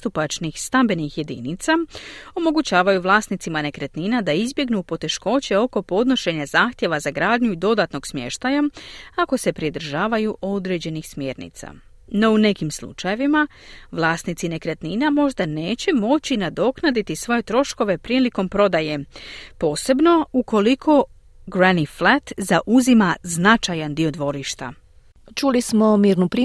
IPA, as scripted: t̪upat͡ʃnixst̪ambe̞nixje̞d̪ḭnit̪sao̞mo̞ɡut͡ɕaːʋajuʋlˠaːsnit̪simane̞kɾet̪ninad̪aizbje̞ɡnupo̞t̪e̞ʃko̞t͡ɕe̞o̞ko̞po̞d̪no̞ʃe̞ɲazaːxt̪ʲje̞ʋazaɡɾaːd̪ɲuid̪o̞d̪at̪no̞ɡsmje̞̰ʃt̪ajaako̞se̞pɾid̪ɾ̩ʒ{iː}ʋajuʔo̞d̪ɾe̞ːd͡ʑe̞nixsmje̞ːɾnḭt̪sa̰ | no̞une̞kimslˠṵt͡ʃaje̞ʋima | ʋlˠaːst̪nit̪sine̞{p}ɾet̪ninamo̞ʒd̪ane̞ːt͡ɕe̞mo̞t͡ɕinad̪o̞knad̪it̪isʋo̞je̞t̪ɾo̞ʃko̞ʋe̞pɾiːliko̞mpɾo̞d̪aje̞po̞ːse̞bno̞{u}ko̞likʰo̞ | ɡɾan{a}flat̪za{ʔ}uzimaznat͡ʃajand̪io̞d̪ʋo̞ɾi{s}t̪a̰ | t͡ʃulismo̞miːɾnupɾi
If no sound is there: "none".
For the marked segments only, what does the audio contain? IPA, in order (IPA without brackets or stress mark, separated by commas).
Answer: aː, k, u, i, ʔ, ʃ